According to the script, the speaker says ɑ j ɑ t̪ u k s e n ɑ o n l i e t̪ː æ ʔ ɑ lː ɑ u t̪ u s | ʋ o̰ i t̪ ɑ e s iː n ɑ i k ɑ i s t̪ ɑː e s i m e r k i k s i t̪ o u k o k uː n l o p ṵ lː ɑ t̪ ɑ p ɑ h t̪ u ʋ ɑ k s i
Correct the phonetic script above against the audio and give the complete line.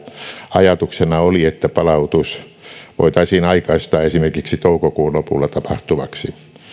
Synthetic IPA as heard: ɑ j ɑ t̪ u k s e n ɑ o l i e t̪ː æ p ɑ l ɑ u t̪ u s | ʋ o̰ i t̪ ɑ i s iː n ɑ i k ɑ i s t̪ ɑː e s i m e r k i k s i t̪ o u k o k uː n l o p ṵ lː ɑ t̪ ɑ p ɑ h t̪ u ʋ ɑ k s i